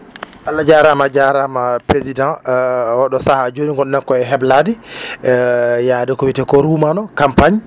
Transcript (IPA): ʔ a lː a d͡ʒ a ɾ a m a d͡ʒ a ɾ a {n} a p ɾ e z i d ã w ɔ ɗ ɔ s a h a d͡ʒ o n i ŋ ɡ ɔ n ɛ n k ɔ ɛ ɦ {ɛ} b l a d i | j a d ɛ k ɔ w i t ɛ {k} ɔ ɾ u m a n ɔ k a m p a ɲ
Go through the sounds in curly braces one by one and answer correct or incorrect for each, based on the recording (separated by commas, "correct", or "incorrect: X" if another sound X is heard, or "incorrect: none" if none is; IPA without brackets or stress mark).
incorrect: m, correct, correct